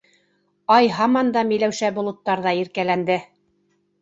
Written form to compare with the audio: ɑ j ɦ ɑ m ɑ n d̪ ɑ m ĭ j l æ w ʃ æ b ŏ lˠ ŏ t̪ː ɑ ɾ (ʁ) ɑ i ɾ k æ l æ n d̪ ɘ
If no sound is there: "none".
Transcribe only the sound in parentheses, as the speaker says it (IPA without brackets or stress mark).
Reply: ð